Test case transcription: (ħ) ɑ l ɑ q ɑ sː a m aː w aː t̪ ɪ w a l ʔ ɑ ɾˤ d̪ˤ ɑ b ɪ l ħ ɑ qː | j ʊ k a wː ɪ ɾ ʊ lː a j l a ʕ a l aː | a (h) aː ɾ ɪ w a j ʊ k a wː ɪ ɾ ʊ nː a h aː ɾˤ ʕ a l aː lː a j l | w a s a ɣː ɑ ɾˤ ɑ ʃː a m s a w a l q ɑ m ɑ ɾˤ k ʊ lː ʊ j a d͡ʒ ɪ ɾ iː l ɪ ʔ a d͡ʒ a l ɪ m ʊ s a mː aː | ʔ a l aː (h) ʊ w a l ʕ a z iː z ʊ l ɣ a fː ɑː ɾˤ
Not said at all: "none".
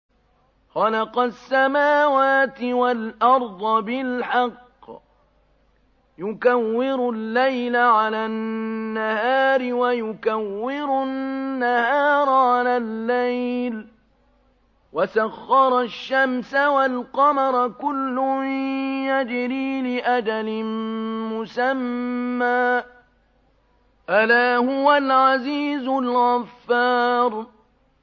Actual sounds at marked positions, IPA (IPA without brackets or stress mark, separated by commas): x, h, h